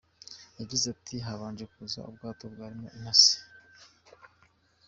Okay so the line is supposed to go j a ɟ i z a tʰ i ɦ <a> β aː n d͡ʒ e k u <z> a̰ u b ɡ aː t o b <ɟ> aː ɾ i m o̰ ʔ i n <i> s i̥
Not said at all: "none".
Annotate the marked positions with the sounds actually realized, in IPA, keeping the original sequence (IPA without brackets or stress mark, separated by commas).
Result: a, z, ɡ, a